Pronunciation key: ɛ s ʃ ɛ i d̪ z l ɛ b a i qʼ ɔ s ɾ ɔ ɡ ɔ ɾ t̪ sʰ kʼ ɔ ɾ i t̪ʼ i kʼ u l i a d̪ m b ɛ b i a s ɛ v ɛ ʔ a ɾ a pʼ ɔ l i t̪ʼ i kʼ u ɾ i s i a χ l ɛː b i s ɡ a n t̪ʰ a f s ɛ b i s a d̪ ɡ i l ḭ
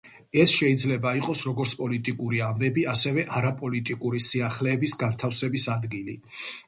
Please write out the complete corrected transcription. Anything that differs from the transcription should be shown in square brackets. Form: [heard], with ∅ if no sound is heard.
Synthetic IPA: ɛ s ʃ ɛ i d̪ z l ɛ b a i qʼ ɔ s ɾ ɔ ɡ ɔ ɾ t̪ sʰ [pʼ] ɔ [l] i t̪ʼ i kʼ u [ɾ] i a [∅] m b ɛ b i a s ɛ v ɛ ʔ a ɾ a pʼ ɔ l i t̪ʼ i kʼ u ɾ i s i a χ l ɛː b i s ɡ a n t̪ʰ a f s ɛ b i s a d̪ ɡ i l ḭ